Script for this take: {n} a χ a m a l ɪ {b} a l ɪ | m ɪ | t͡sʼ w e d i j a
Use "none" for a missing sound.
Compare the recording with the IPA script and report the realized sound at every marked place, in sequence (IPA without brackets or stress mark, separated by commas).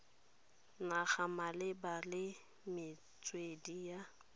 n, b